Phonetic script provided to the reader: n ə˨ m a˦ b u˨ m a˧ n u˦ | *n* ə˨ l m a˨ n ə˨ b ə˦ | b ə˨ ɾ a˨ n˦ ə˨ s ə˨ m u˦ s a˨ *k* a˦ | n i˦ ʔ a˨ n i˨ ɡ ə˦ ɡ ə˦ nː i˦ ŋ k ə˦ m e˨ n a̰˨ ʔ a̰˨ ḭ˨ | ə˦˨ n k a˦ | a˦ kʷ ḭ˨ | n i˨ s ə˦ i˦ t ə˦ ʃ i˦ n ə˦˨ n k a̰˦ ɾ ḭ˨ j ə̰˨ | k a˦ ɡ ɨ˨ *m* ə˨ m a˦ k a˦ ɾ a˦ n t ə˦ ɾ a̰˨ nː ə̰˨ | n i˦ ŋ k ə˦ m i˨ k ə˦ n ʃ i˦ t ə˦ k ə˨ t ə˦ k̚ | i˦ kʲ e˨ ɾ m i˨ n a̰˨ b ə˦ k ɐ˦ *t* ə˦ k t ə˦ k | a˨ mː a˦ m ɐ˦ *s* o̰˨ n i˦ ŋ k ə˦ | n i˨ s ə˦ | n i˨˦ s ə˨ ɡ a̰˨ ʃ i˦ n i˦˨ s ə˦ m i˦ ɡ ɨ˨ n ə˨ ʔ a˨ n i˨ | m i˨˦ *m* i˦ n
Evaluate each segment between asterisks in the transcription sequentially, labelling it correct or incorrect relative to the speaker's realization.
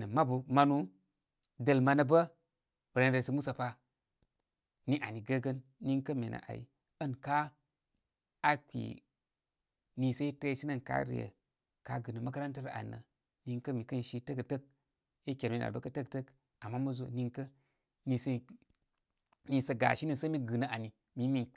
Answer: incorrect: d, incorrect: p, incorrect: n, correct, incorrect: z, correct

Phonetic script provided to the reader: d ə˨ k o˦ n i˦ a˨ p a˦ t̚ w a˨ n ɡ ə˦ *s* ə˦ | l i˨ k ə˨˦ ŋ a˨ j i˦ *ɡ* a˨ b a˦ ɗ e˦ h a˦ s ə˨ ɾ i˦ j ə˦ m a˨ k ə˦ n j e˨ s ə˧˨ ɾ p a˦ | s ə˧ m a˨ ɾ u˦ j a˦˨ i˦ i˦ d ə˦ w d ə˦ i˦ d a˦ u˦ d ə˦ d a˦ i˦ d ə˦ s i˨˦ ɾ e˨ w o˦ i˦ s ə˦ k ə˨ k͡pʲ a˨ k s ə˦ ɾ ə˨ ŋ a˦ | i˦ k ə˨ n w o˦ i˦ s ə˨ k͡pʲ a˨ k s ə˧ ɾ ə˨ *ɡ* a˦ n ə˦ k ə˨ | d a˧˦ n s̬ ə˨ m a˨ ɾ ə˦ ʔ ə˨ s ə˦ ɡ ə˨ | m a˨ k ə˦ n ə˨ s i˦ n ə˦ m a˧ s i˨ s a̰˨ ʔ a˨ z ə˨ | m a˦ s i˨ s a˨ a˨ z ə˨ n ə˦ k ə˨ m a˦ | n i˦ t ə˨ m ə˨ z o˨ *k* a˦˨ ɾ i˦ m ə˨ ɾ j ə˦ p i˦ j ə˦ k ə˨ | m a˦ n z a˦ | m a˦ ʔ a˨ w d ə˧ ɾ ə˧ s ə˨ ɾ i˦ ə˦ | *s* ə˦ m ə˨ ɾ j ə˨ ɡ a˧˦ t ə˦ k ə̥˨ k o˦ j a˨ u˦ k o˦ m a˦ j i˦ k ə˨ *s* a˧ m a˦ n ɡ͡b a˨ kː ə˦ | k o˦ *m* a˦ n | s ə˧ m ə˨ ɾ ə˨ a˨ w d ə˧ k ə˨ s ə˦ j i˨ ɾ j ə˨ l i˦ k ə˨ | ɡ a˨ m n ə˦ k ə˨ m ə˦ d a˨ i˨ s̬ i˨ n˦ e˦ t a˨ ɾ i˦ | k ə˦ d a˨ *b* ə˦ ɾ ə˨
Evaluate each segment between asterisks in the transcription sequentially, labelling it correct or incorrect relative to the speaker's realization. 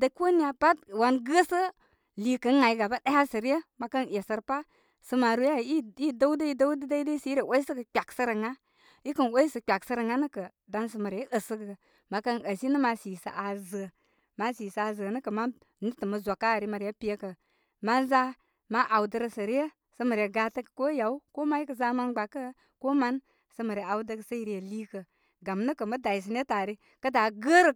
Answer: correct, correct, incorrect: ŋ, correct, correct, incorrect: z, correct, incorrect: ɡ

